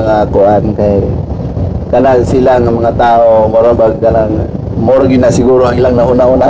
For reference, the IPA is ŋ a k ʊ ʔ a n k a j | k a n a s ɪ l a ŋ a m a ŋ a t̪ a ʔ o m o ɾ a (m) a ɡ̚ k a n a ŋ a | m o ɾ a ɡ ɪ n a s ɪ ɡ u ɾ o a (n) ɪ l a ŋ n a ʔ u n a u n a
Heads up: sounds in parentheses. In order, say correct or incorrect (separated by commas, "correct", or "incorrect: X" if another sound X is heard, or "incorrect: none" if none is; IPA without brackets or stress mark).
incorrect: b, incorrect: ŋ